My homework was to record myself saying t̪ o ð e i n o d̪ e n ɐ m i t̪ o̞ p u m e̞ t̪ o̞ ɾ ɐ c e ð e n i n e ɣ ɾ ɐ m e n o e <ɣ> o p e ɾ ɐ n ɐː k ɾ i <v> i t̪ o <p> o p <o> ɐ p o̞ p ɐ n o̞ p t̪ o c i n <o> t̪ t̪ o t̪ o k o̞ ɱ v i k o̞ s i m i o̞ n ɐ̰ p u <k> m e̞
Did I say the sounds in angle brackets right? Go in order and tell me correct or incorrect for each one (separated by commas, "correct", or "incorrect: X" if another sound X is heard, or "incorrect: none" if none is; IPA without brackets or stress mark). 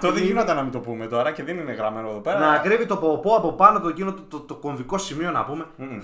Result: incorrect: ð, correct, correct, correct, correct, incorrect: none